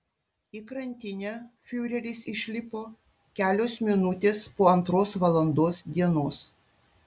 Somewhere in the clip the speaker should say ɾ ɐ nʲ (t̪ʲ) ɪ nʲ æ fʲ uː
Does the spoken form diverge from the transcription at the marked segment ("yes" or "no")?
no